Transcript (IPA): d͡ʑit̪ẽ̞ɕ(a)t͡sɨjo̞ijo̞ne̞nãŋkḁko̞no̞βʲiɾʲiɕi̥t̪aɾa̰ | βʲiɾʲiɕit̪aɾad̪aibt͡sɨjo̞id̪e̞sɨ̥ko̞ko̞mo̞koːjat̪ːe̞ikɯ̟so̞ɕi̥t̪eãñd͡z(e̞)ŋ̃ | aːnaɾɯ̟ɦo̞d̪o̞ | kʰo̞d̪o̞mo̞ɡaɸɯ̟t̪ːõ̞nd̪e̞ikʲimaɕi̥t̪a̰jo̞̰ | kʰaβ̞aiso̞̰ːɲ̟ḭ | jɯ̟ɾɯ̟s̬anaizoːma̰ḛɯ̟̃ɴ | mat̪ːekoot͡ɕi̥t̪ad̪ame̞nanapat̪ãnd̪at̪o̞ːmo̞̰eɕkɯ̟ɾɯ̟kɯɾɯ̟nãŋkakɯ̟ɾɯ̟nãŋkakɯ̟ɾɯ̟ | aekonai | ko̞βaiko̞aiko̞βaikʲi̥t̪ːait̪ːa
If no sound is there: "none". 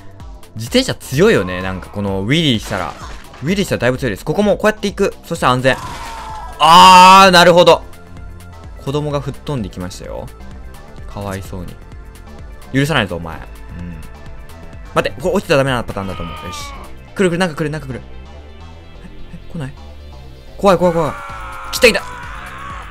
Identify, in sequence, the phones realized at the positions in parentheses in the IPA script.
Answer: a, ẽ̞

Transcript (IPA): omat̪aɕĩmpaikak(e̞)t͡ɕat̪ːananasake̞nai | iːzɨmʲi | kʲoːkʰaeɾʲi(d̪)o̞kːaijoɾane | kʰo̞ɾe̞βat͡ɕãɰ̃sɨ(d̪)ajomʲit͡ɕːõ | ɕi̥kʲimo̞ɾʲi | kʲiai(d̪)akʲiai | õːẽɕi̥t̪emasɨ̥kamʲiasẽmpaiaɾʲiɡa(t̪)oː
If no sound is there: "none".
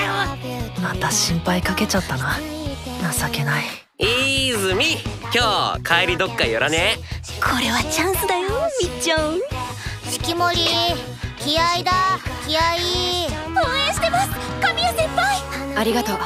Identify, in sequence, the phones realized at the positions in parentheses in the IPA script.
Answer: e̞, d̪, d̪, d̪, t̪

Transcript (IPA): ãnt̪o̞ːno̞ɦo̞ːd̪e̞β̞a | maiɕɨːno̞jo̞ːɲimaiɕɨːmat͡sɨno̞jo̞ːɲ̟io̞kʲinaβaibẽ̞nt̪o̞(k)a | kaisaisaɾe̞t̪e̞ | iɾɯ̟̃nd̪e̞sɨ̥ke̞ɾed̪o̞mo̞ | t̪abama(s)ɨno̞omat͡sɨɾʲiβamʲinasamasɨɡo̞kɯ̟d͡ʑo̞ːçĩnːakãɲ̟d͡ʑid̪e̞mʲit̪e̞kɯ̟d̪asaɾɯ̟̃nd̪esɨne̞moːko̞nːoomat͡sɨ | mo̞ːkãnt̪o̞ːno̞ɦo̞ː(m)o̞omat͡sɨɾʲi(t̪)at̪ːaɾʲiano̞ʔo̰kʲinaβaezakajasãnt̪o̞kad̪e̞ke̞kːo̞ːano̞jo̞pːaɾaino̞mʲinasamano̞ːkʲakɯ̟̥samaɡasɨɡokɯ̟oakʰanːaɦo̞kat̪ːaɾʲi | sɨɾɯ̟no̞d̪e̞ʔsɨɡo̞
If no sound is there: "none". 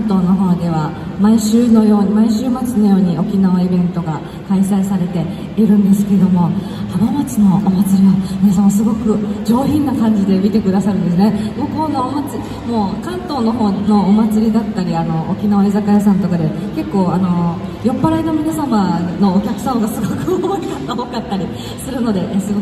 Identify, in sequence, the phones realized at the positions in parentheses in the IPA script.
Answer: ɡ, t͡s, n, d̪

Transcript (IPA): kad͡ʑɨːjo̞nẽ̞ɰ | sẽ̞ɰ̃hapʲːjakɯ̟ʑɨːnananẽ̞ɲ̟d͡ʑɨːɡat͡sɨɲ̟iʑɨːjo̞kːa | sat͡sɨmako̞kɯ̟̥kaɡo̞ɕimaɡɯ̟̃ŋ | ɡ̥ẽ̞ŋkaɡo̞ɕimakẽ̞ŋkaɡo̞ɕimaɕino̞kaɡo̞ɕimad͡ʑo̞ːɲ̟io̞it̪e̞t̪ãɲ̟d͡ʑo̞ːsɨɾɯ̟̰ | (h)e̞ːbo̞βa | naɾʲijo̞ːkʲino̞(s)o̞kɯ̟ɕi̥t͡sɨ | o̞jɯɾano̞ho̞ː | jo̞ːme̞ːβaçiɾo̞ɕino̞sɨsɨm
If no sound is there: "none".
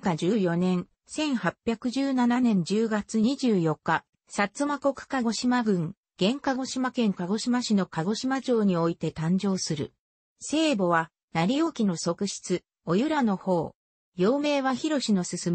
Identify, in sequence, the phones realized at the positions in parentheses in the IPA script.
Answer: s, s

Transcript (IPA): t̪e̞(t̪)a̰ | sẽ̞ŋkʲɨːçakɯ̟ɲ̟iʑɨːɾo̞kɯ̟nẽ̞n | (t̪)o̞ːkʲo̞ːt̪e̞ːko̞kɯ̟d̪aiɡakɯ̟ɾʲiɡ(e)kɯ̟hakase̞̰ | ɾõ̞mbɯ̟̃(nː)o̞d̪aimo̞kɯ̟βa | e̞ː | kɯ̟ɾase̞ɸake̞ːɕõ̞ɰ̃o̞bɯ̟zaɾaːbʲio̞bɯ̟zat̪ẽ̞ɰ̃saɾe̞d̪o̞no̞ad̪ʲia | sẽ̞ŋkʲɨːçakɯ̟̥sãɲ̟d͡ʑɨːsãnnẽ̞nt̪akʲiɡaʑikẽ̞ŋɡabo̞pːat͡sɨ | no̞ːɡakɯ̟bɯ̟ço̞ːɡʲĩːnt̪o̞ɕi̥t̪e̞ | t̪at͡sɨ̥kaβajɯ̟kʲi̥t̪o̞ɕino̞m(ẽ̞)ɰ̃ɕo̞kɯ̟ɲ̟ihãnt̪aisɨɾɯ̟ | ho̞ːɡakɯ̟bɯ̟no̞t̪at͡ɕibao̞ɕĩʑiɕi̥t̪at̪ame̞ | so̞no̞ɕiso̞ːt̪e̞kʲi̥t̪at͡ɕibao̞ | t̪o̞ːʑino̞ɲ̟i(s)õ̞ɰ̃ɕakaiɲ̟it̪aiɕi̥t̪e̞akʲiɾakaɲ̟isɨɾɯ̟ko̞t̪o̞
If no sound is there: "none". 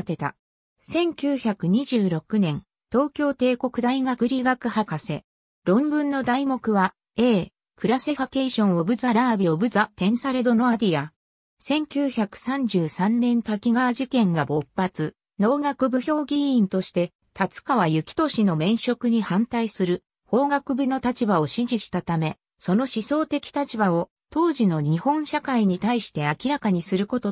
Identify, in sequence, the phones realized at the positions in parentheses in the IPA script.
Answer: t̪, t̪, a, nː, ẽ̞, h

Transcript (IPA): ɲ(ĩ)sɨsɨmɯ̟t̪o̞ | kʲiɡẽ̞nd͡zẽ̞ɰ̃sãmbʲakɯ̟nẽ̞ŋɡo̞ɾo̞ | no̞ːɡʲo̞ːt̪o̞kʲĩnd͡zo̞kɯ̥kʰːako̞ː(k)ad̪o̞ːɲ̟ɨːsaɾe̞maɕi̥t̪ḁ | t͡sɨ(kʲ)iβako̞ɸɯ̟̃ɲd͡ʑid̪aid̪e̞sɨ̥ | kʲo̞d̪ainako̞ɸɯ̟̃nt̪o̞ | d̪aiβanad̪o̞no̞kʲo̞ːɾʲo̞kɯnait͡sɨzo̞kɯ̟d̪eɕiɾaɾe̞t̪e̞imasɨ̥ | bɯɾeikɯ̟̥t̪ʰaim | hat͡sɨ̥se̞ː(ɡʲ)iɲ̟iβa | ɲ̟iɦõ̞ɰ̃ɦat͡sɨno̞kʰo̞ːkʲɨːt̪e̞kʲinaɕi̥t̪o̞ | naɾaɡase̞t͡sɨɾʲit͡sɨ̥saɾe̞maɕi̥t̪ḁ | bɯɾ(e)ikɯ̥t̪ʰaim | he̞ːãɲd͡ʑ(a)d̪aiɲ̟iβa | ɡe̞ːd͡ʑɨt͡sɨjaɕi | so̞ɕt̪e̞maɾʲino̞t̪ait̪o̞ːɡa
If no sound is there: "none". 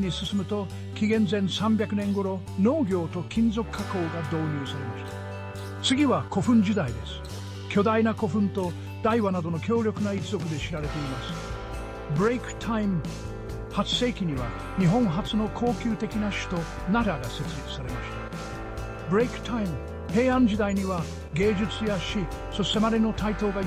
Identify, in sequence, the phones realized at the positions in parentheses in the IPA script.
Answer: i, ɡ, ɡʲ, kʲ, e, i

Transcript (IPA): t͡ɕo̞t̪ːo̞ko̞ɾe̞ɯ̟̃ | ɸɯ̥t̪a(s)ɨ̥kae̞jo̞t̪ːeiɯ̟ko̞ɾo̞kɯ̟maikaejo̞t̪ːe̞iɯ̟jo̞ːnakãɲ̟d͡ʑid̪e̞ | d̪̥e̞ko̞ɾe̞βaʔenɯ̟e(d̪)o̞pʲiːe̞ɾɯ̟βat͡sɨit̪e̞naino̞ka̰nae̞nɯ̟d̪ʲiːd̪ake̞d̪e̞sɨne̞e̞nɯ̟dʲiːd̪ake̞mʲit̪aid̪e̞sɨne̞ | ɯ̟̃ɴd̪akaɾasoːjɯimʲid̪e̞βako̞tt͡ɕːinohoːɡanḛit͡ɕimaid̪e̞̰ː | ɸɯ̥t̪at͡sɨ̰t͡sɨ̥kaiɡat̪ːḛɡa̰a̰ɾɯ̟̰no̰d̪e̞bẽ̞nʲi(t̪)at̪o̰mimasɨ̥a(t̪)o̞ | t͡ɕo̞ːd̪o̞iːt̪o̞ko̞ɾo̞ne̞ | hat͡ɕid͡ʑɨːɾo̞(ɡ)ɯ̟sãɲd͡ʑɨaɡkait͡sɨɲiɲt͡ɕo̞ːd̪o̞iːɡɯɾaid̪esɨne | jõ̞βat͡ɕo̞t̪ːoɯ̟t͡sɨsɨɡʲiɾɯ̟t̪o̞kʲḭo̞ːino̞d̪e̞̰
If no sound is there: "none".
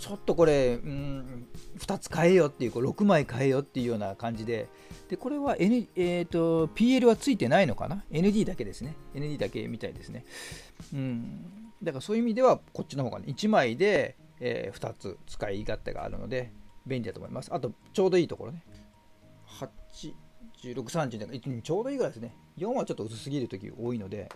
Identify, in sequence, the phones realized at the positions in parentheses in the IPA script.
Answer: t͡s, t̪, d̪, t̪, k

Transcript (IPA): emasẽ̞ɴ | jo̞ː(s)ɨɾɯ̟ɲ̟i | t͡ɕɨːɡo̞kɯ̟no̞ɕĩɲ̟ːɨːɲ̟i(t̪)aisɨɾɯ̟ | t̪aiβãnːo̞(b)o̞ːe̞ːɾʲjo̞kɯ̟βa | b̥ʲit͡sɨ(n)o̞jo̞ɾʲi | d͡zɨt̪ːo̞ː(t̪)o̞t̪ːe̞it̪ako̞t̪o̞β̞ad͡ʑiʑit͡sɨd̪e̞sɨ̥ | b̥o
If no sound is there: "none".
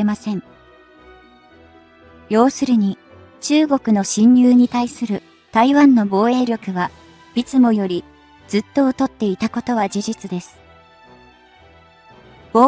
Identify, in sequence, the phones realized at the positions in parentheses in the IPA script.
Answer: s, t̪, b, m, t̪

